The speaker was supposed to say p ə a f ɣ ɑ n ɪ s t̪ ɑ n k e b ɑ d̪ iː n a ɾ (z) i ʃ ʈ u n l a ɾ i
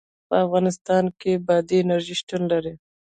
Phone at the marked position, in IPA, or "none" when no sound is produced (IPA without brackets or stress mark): ʒ